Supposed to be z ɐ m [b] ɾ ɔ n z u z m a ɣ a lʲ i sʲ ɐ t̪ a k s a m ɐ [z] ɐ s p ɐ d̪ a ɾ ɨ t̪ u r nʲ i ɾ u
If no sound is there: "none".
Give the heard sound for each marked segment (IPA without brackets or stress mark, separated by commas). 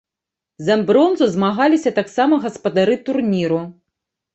b, ɣ